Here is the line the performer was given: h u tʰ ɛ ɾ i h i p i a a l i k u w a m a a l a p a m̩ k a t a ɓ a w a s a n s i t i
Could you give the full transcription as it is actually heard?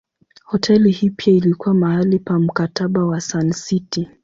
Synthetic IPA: h ɔ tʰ ɛ l i h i p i a i l i k u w a m a a l i p a m̩ k a t a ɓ a w a s a n s i t i